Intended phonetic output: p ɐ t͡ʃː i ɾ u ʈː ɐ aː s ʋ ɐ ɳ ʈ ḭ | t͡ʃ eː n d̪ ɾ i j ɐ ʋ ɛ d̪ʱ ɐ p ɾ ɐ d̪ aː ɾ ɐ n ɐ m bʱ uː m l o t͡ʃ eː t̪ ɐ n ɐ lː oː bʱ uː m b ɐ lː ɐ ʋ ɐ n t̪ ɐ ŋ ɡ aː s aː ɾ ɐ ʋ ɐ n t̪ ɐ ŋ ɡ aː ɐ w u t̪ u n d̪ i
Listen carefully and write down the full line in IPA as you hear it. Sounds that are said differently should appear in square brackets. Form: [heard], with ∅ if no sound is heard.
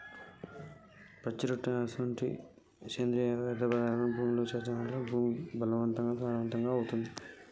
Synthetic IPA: p ɐ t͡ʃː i ɾ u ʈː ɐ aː s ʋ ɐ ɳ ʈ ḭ | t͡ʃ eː n d̪ ɾ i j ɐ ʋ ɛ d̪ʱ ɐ p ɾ ɐ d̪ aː ɾ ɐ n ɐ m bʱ uː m l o t͡ʃ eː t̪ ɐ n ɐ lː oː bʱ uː m b ɐ [l] ɐ ʋ ɐ n t̪ ɐ ŋ ɡ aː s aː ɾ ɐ ʋ ɐ n t̪ ɐ ŋ ɡ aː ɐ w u t̪ u n d̪ i